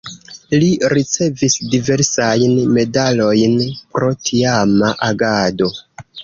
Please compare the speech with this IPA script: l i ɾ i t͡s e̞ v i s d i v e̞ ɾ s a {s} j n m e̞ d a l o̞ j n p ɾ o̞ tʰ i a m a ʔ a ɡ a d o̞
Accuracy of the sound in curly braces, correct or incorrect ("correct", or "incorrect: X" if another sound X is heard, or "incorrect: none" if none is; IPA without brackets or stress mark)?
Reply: incorrect: none